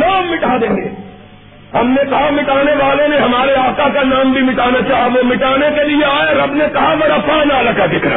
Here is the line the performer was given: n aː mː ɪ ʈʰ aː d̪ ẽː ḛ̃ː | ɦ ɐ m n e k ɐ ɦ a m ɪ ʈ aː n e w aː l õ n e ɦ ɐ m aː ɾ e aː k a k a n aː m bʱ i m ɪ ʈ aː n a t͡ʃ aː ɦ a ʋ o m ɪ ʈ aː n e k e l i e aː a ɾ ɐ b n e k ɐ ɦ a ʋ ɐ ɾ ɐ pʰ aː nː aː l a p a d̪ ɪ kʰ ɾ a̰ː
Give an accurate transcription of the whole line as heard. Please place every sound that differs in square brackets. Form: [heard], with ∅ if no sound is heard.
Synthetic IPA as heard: n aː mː ɪ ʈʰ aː d̪ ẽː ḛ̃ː | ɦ ɐ m n e k ɐ ɦ a m ɪ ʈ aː n e [ʋ] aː l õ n e ɦ ɐ m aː ɾ e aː k a k a n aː m bʱ i m ɪ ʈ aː n a t͡ʃ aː ɦ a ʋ o m ɪ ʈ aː n e k e l i e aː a ɾ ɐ b n e k ɐ ɦ a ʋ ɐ ɾ ɐ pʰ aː [n] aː l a [k] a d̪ ɪ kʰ ɾ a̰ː